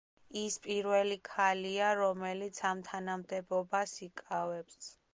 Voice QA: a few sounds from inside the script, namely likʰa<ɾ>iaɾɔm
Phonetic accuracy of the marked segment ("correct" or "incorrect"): incorrect